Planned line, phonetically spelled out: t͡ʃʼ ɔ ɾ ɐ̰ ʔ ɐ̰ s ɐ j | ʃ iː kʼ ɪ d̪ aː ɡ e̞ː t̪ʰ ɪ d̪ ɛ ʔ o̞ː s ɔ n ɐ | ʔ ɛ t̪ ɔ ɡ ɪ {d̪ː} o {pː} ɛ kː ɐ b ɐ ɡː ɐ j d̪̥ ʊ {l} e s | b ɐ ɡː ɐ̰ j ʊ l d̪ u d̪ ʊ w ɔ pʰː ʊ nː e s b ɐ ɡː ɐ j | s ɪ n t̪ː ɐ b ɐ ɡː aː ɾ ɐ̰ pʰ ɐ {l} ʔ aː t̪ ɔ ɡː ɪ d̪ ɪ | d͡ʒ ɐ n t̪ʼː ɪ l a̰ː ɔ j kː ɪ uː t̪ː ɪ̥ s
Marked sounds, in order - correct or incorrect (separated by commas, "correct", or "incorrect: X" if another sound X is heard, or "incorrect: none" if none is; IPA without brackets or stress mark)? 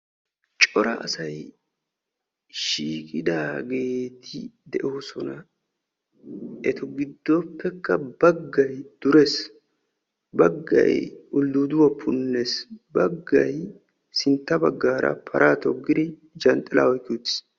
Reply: correct, correct, incorrect: ɾ, incorrect: ɾ